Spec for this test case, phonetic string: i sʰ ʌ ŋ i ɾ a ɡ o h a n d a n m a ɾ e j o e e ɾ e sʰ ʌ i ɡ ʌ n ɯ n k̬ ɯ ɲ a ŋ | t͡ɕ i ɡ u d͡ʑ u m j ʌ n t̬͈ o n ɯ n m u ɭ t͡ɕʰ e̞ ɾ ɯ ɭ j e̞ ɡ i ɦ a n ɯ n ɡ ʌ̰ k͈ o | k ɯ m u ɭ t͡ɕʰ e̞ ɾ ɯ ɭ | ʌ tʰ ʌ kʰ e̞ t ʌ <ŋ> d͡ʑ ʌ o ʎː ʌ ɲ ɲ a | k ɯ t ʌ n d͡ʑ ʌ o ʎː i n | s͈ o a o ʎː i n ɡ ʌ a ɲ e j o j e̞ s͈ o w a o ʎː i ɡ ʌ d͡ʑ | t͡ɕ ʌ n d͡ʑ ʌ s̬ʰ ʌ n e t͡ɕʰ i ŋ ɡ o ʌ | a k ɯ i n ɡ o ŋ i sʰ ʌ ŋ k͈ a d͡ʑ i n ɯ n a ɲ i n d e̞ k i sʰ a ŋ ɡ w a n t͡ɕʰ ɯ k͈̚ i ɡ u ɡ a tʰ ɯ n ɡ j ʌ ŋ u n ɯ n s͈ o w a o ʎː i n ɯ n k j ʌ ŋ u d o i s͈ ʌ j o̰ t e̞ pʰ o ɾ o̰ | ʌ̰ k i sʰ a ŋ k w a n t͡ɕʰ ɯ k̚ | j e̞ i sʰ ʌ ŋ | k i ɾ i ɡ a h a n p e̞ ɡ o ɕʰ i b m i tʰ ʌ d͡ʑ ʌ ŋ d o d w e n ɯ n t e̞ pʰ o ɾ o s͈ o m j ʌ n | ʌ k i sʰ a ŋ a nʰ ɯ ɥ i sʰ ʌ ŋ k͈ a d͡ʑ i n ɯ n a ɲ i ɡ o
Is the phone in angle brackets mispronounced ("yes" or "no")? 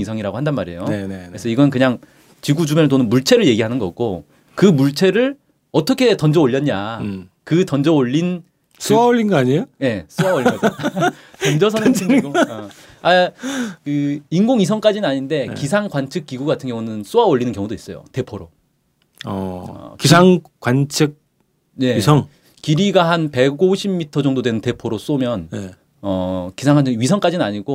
yes